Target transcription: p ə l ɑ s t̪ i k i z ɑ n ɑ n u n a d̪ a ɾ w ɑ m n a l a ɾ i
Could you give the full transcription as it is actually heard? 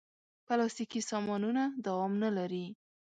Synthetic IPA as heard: p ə l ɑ s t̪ i k i s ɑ m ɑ n u n a d̪ a w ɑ m n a l a ɾ i